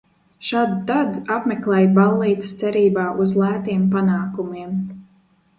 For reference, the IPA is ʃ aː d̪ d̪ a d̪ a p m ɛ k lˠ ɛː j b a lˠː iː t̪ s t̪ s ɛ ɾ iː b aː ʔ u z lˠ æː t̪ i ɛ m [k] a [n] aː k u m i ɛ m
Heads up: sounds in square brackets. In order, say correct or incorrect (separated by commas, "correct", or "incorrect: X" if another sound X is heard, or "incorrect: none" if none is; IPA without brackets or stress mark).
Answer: incorrect: p, correct